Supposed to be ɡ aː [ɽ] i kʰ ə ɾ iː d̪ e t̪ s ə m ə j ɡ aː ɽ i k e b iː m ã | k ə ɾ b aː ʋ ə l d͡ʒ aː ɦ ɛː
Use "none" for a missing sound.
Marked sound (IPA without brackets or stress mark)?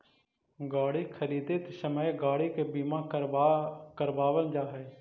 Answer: ɽ